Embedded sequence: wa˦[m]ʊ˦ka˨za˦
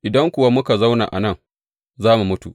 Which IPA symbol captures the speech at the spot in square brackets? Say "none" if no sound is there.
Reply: m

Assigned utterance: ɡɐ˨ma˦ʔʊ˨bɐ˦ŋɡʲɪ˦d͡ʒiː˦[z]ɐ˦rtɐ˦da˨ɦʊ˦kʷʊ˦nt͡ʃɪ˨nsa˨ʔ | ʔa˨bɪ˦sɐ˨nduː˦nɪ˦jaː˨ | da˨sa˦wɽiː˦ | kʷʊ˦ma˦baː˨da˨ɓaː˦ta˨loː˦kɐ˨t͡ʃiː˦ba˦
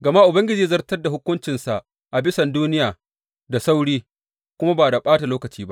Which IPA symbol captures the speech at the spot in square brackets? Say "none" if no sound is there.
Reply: z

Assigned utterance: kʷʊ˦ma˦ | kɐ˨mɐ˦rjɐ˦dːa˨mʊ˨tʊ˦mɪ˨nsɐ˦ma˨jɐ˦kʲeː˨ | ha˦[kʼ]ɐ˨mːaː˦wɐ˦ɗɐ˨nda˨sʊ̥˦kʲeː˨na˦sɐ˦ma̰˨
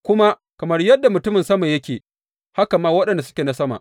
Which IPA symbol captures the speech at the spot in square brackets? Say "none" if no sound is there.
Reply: k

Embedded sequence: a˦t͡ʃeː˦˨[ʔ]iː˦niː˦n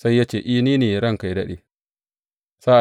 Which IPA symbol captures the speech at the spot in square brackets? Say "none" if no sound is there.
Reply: ʔ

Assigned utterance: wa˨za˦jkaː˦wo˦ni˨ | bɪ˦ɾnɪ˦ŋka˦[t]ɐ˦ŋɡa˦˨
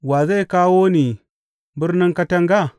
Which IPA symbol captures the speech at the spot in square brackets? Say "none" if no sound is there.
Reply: t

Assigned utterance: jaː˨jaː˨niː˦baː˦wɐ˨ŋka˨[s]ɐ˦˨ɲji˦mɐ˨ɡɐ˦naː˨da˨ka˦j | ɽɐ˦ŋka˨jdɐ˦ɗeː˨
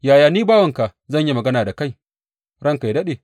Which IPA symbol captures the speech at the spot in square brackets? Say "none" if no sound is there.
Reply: z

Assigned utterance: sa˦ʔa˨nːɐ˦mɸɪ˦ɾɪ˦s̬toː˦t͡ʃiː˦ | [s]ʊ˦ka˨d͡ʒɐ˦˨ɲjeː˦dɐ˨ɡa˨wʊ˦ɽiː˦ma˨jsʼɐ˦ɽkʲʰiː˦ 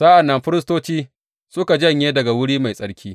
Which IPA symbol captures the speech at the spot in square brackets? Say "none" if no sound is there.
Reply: s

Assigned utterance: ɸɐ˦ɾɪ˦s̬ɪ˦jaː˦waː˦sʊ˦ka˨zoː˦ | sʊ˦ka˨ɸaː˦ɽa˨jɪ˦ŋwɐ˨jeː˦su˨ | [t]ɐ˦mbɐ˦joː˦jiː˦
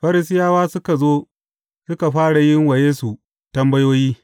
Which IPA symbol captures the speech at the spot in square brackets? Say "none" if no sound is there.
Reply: t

